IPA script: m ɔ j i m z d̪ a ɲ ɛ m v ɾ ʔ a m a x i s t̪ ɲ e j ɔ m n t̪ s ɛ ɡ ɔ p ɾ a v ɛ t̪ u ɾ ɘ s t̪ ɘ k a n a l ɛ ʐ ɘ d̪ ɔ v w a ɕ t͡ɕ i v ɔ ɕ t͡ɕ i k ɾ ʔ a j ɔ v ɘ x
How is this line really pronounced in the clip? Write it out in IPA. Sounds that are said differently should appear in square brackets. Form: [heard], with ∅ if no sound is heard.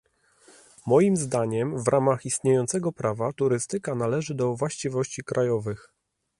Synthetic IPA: m ɔ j i m z d̪ a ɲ ɛ m v ɾ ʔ a m a x i s t̪ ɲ e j ɔ [∅] n t̪ s ɛ ɡ ɔ p ɾ a v [a] t̪ u ɾ ɘ s t̪ ɘ k a n a l ɛ ʐ ɘ d̪ ɔ v w a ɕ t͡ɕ i v ɔ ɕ t͡ɕ i k ɾ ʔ a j ɔ v ɘ x

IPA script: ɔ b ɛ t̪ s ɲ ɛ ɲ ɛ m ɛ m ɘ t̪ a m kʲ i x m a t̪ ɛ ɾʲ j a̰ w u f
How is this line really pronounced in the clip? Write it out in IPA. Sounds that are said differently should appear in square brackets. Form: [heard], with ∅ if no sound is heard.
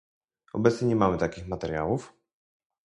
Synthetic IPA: ɔ b ɛ t̪ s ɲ ɛ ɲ ɛ m [a] m ɘ t̪ a [∅] kʲ i x m a t̪ ɛ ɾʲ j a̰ w u f

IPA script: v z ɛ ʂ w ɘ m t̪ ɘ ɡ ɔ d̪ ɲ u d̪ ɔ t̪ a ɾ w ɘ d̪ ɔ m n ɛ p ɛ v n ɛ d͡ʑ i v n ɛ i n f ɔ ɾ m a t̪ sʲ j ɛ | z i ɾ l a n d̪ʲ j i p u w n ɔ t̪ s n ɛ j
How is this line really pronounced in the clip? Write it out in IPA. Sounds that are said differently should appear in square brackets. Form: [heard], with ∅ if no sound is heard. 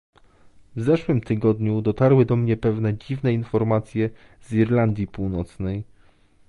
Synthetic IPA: v z ɛ ʂ w ɘ m t̪ ɘ ɡ ɔ d̪ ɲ u d̪ ɔ t̪ a ɾ w ɘ d̪ ɔ m [ɲ] ɛ p ɛ v n ɛ d͡ʑ i v n ɛ i n f ɔ ɾ m a t̪ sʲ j ɛ | z i ɾ l a n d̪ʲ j i p u w n ɔ t̪ s n ɛ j

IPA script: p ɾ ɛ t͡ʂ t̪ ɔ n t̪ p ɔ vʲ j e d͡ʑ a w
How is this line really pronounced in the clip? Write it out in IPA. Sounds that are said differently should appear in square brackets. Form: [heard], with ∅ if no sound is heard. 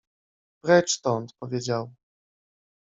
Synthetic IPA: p ɾ ɛ t͡ʂ t̪ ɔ n t̪ p ɔ vʲ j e d͡ʑ a w

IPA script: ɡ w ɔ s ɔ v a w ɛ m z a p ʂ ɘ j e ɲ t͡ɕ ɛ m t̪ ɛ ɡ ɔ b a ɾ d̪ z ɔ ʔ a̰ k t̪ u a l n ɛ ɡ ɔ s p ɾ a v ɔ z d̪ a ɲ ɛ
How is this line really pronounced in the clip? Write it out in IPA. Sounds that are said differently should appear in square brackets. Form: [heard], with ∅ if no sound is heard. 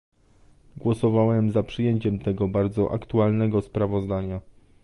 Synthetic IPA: ɡ w ɔ s ɔ v a w ɛ m z a p ʂ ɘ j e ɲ t͡ɕ ɛ m t̪ ɛ ɡ ɔ b a ɾ d̪ z ɔ ʔ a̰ k t̪ u a l n ɛ ɡ ɔ s p ɾ a v ɔ z d̪ a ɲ [a]

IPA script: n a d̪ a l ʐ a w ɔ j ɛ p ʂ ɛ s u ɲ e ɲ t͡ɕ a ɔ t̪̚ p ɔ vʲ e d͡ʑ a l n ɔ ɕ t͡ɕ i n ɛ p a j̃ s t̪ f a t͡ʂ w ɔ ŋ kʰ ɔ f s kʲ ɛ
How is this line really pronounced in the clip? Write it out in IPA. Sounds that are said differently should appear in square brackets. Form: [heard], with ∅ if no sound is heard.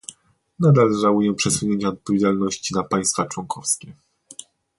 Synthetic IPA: n a d̪ a l ʐ a w [u] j ɛ p ʂ ɛ s u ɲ e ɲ t͡ɕ a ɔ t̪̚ p ɔ vʲ e d͡ʑ a l n ɔ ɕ t͡ɕ i n [a] p a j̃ s t̪ f a t͡ʂ w ɔ ŋ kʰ ɔ f s kʲ ɛ

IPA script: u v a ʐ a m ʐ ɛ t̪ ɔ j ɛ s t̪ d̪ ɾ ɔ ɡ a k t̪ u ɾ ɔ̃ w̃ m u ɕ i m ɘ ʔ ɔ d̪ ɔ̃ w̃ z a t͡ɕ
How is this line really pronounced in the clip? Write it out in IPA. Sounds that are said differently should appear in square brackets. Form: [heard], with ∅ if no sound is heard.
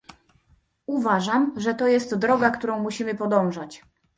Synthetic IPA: u v a ʐ a m ʐ ɛ t̪ ɔ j ɛ s t̪ d̪ ɾ ɔ ɡ a k t̪ u ɾ ɔ̃ w̃ m u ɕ i m ɘ [p] ɔ d̪ ɔ̃ w̃ [ʐ] a t͡ɕ

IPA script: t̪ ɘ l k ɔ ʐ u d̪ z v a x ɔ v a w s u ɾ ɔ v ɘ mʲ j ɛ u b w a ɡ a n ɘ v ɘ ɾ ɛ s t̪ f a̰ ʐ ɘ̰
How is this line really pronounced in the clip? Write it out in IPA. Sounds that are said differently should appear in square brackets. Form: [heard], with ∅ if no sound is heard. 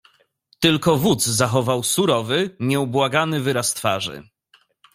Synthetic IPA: t̪ ɘ l k ɔ [v] u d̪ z [z] a x ɔ v a w s u ɾ ɔ v ɘ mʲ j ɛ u b w a ɡ a n ɘ v ɘ ɾ [a] s t̪ f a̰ ʐ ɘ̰

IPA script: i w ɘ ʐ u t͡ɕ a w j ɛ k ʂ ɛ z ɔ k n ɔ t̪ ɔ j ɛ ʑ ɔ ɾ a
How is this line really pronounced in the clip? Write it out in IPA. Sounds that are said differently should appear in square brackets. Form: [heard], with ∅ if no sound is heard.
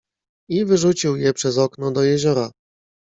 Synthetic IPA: i [v] ɘ ʐ u t͡ɕ [i] w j ɛ [p] ʂ ɛ z ɔ k n ɔ [d̪] ɔ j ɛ ʑ ɔ ɾ a

